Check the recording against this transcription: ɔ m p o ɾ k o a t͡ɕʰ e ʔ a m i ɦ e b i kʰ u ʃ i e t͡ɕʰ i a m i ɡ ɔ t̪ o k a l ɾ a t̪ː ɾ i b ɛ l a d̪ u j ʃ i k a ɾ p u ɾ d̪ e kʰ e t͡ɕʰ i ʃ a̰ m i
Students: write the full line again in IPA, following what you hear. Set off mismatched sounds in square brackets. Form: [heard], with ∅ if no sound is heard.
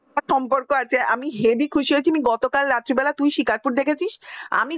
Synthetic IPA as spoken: ɔ m p o ɾ k o a t͡ɕʰ e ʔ a m i ɦ e b i kʰ u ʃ i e t͡ɕʰ i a m i ɡ ɔ t̪ o k a l ɾ a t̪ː ɾ i b ɛ l a [t̪] u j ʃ i k a ɾ p u ɾ d̪ e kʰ e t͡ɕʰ i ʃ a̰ m i